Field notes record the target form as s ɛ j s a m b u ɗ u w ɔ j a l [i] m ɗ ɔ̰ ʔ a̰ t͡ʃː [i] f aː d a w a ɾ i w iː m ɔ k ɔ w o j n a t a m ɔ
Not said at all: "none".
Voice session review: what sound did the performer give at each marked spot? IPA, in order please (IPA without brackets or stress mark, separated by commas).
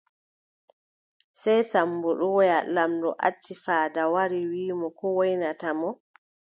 a, i